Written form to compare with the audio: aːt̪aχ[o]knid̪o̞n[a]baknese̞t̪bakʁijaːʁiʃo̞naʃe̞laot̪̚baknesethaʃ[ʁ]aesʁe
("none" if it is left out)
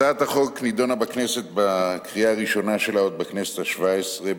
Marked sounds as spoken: o, a, v

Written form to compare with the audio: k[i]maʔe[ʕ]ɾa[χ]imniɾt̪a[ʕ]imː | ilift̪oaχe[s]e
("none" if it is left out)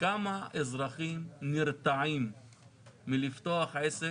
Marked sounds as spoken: a, z, χ, ʕ, s

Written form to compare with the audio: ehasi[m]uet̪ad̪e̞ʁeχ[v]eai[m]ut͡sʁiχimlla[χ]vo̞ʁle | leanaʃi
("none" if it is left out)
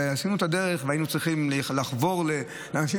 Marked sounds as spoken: n, v, n, χ

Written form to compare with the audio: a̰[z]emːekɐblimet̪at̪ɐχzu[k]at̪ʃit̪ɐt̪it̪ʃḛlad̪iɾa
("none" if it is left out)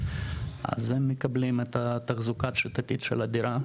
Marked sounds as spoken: z, k

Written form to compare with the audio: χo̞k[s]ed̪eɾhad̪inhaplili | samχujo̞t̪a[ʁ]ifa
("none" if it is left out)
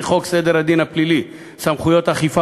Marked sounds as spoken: s, χ

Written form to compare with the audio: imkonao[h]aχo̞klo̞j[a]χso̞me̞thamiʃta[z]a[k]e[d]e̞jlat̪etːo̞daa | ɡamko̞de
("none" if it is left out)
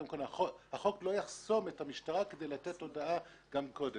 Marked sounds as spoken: h, a, ʁ, k, d

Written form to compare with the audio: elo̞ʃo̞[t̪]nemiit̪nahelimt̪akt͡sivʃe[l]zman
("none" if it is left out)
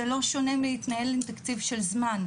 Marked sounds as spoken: none, l

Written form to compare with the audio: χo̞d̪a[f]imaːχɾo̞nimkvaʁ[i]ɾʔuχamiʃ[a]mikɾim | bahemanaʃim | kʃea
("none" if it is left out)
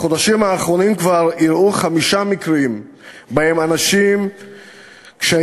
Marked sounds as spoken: ʃ, i, a

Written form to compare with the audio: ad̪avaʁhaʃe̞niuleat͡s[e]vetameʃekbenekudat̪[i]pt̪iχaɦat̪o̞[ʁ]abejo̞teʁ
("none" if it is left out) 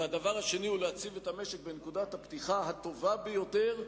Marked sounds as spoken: i, a, v

